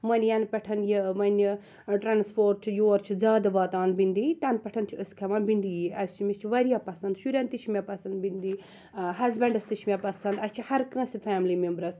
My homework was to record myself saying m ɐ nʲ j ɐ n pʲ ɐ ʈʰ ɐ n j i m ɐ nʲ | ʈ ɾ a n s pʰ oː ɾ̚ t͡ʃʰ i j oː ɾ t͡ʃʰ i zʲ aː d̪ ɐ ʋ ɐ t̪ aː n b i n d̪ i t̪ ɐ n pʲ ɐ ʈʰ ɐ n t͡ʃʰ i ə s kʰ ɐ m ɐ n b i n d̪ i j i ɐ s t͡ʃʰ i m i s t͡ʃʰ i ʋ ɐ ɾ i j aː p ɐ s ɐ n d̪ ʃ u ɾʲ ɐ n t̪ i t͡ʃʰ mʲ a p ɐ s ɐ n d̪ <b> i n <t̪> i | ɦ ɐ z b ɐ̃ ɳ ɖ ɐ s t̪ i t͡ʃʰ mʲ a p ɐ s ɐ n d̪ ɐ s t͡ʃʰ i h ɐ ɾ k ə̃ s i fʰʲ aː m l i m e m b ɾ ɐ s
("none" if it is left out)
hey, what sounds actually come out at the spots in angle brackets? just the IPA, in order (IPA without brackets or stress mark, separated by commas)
b, d̪